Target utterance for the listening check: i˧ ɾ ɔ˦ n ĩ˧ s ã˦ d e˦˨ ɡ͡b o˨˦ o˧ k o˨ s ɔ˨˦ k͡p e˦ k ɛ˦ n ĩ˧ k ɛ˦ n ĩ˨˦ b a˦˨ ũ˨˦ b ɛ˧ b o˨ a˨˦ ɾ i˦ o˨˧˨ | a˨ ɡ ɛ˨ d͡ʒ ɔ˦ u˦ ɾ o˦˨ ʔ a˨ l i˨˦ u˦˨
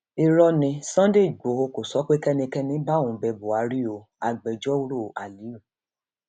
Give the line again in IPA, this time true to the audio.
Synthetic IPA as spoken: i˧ ɾ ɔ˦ n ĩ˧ s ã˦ d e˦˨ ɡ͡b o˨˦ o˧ k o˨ s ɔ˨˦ k͡p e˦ k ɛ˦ n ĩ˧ k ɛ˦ n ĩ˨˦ b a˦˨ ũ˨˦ b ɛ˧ b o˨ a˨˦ ɾ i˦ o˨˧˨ | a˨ ɡ͡b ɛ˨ d͡ʒ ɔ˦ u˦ ɾ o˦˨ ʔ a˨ l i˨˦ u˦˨

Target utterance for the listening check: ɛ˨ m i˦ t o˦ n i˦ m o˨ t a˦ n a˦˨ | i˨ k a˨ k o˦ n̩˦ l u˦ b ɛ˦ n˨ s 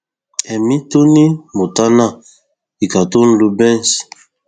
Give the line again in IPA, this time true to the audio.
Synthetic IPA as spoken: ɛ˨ m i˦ t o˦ n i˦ m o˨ t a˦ n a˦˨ | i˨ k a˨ t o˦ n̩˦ l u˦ b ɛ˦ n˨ s

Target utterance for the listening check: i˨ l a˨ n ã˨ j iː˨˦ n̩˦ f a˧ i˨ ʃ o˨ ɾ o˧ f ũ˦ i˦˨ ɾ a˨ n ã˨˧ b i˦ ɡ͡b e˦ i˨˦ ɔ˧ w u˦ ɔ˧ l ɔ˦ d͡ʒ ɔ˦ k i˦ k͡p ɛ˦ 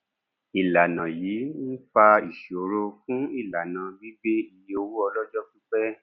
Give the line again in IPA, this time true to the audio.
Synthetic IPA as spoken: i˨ l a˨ n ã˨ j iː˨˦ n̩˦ f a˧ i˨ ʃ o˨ ɾ o˧ f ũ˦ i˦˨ l a˨ n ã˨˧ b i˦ ɡ͡b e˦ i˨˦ o˧ w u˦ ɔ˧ l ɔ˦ d͡ʒ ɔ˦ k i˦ k͡p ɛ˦

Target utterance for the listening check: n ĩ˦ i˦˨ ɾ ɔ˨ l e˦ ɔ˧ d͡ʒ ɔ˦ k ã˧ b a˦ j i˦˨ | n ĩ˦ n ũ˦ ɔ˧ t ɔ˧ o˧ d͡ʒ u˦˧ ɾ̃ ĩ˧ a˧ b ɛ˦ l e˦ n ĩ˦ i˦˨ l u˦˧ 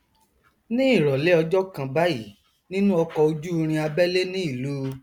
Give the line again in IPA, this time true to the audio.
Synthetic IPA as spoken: n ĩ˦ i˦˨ ɾ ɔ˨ l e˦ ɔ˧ d͡ʒ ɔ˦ k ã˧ b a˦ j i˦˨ | n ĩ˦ n ũ˦ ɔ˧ k ɔ˧ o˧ d͡ʒ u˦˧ ɾ̃ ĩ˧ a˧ b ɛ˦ l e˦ n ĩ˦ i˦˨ l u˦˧

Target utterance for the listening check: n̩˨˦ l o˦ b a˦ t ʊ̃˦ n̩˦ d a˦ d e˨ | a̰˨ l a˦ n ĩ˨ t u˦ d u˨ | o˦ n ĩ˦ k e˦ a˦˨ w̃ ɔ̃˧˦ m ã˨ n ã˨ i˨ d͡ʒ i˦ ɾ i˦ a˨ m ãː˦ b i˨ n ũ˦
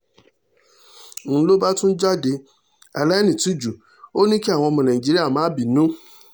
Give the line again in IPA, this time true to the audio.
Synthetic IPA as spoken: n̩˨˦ l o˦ b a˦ t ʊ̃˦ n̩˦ d͡ʒ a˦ d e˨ | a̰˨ l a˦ n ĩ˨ t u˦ d͡ʒ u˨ | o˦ n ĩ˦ k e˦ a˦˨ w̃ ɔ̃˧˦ m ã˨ n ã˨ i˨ d͡ʒ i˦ ɾ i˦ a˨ m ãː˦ b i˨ n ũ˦

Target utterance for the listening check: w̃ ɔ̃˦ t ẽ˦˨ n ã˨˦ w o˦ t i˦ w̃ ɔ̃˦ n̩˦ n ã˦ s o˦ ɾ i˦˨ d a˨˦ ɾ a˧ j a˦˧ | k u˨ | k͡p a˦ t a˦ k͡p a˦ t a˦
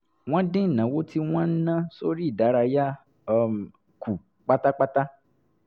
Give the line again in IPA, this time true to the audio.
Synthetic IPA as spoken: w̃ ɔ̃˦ d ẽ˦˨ n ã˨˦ w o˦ t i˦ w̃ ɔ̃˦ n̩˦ n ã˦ s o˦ ɾ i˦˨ d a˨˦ ɾ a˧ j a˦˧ | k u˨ | k͡p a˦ t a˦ k͡p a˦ t a˦

